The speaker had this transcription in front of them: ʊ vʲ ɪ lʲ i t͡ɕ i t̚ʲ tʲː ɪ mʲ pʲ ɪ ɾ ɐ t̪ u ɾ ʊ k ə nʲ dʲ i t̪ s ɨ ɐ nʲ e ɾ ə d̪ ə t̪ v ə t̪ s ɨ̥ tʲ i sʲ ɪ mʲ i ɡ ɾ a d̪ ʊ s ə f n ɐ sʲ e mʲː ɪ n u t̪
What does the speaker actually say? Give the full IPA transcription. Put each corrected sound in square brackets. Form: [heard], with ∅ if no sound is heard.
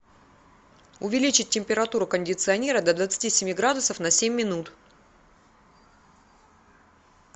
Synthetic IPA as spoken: ʊ vʲ ɪ lʲ i t͡ɕ [ɪ] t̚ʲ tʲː ɪ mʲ pʲ ɪ ɾ ɐ t̪ u ɾ ʊ k ə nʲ dʲ [ɪ] t̪ s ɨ ɐ nʲ e ɾ ə d̪ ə [d̪] v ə t̪ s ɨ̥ tʲ i sʲ ɪ mʲ i ɡ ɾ a d̪ ʊ s ə f n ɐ sʲ e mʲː ɪ n u t̪

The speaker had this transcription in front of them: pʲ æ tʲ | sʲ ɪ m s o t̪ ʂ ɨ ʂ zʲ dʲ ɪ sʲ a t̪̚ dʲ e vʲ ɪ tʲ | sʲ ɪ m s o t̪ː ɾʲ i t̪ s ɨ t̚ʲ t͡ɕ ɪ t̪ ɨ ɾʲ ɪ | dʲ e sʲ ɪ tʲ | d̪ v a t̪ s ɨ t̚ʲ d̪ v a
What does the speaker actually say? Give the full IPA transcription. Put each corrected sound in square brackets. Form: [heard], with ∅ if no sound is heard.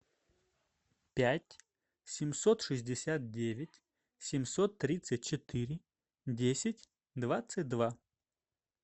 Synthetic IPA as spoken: pʲ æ tʲ | sʲ ɪ m s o t̪ ʂ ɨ [∅] zʲ dʲ ɪ sʲ a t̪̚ dʲ e vʲ ɪ tʲ | sʲ ɪ m s o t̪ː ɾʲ i t̪ s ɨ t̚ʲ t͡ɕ ɪ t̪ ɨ ɾʲ ɪ | dʲ e sʲ ɪ tʲ | d̪ v a t̪ s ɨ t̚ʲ d̪ v a

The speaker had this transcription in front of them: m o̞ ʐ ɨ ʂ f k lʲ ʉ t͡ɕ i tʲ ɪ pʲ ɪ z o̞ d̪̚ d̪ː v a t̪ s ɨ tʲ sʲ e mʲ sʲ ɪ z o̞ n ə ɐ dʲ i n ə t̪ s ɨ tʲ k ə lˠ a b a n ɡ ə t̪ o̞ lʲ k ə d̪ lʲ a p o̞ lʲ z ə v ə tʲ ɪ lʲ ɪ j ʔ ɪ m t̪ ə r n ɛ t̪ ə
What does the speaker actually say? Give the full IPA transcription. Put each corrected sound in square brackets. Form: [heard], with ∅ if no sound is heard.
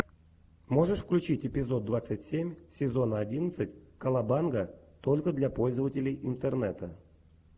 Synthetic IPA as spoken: m o̞ ʐ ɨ ʂ f k lʲ ʉ t͡ɕ i tʲ ɪ pʲ ɪ z o̞ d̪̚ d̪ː v a t̪ s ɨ tʲ sʲ e mʲ sʲ ɪ z o̞ n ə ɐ dʲ i n ə t̪ s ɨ tʲ k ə lˠ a b a n ɡ ə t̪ o̞ lʲ k ə d̪ lʲ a p o̞ lʲ z ə v ə tʲ ɪ lʲ ɪ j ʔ ɪ [n] t̪ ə r n ɛ t̪ ə

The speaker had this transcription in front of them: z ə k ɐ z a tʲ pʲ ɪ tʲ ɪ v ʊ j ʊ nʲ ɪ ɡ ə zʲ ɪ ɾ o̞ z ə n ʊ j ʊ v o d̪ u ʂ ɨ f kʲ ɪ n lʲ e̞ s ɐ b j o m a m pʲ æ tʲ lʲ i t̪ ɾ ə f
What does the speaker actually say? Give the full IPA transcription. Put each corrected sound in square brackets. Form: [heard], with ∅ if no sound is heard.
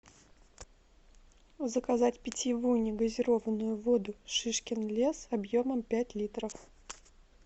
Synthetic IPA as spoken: z ə k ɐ z a tʲ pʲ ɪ tʲ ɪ v [u] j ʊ nʲ ɪ ɡ ə zʲ ɪ ɾ o̞ [v] ə n ʊ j ʊ v o d̪ [ʊ] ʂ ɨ [ʂ] kʲ ɪ n lʲ e̞ s ɐ b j o m [ə] m pʲ æ tʲ lʲ i t̪ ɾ ə f

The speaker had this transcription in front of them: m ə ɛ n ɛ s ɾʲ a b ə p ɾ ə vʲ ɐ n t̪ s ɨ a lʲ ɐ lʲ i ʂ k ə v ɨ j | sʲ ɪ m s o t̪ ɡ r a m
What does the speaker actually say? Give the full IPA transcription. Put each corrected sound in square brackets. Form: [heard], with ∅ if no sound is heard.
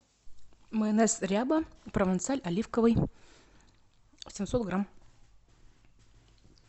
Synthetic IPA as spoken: m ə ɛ n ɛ s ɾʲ a b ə p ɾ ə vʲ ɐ n t̪ s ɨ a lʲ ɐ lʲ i [f] k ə v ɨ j | sʲ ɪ m s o t̪ ɡ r a m

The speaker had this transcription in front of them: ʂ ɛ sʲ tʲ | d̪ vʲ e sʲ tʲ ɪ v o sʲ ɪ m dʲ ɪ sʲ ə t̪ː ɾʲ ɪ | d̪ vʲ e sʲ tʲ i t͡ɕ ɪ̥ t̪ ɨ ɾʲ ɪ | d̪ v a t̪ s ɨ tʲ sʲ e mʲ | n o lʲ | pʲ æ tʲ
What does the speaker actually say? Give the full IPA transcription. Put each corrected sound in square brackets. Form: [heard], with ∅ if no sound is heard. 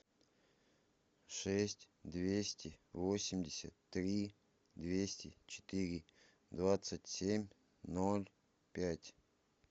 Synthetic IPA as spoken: ʂ ɛ sʲ tʲ | d̪ vʲ e sʲ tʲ ɪ v o sʲ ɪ m dʲ ɪ sʲ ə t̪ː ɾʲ [i] | d̪ vʲ e sʲ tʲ [ɪ] t͡ɕ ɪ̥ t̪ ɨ ɾʲ ɪ | d̪ v a t̪ s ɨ tʲ sʲ e mʲ | n o lʲ | pʲ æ tʲ

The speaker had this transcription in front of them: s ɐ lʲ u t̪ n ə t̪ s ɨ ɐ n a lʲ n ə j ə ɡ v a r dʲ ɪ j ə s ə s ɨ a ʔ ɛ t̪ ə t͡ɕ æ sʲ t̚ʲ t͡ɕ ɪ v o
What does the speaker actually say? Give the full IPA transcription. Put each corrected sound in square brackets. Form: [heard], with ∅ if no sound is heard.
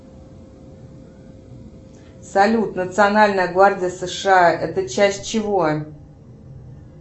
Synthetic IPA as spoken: s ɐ lʲ u t̪ n ə t̪ s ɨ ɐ n a lʲ n ə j ə ɡ v a r dʲ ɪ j ə s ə [ʂ] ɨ a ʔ ɛ t̪ ə t͡ɕ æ sʲ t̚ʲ t͡ɕ ɪ v o

